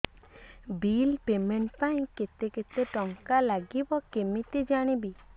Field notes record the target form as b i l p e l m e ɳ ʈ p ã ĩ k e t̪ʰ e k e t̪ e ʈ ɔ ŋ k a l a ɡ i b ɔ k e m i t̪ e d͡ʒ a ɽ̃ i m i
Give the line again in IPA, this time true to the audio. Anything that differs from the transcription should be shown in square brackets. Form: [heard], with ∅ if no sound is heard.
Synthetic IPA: b i l p e [∅] m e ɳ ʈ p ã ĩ k e [t̪] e k e t̪ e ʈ ɔ ŋ k a l a ɡ i b ɔ k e m i t̪ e d͡ʒ a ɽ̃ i [b] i